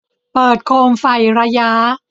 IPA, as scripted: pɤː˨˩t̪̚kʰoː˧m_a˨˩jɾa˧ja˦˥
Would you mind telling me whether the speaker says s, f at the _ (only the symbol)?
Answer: f